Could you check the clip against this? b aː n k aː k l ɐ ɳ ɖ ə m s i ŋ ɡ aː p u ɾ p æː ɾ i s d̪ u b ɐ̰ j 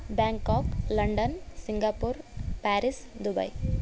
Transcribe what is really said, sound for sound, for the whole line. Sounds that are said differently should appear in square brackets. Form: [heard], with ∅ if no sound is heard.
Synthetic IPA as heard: b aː [ŋ] k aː k l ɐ ɳ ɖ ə [n] s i ŋ ɡ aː p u ɾ p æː ɾ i s d̪ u b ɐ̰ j